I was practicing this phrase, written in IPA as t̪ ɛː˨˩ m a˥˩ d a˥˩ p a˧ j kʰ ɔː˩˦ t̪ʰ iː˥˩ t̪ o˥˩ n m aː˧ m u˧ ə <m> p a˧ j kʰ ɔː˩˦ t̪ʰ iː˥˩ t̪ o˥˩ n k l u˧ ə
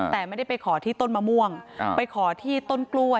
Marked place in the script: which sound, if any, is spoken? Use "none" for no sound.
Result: ŋ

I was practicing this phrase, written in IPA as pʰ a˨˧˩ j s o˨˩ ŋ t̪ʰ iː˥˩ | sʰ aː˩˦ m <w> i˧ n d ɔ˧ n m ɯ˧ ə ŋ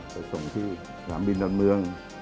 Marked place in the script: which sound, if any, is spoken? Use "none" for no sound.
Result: b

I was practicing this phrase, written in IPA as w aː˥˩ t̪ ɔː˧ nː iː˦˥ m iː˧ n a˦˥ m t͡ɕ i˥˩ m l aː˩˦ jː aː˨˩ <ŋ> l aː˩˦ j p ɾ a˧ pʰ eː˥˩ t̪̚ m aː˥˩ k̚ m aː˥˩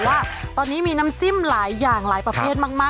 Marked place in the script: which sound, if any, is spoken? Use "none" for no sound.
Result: ŋ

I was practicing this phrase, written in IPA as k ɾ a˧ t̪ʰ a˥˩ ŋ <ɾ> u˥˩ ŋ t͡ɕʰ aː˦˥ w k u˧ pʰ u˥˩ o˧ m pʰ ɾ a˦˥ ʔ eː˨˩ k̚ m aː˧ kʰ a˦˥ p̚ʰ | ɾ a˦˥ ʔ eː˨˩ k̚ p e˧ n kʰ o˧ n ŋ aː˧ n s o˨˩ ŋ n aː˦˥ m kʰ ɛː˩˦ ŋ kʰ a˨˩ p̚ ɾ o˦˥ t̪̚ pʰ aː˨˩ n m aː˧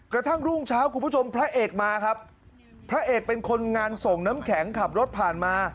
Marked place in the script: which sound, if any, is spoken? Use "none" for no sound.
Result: ɾ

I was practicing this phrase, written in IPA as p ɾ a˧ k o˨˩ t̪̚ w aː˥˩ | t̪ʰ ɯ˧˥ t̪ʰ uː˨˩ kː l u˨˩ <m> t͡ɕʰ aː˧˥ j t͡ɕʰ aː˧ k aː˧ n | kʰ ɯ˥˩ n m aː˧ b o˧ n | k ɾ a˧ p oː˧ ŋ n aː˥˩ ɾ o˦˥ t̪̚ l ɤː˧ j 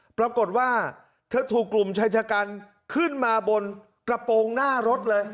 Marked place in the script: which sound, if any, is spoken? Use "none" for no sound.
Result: m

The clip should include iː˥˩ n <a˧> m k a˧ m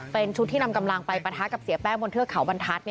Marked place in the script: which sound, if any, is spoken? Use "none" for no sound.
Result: a˧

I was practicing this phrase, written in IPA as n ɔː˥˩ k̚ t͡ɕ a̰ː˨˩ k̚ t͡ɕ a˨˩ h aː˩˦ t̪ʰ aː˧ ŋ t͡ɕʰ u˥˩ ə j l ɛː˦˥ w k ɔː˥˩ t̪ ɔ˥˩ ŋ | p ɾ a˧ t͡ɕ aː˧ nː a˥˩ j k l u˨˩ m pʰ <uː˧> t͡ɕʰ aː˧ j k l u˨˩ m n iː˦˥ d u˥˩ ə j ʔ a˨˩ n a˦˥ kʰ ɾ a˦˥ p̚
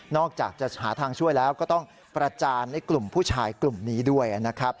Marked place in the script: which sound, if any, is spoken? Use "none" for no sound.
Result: uː˥˩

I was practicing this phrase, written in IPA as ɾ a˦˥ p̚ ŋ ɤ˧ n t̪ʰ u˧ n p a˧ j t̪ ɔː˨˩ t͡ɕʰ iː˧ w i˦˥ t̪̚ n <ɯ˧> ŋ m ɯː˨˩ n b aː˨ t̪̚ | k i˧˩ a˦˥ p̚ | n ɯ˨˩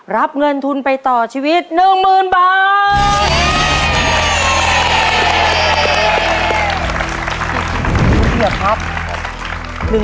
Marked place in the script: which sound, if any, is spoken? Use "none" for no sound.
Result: ɯ˨˩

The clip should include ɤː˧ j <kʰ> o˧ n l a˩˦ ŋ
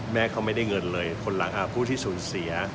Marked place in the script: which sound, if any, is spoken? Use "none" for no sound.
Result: kʰ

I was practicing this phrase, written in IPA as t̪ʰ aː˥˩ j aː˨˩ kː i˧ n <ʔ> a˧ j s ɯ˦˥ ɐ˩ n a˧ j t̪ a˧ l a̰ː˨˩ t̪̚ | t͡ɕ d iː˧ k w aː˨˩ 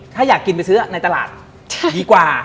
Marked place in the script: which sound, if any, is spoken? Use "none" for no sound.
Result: p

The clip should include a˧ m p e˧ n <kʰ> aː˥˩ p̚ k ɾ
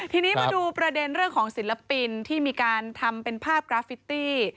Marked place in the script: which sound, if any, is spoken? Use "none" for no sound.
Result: pʰ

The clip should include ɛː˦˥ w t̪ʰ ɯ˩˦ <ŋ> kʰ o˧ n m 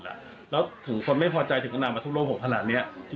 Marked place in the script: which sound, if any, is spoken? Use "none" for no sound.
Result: ŋ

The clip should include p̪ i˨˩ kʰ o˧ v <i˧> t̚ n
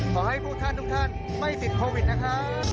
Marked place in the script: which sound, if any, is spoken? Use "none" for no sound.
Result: i˨˩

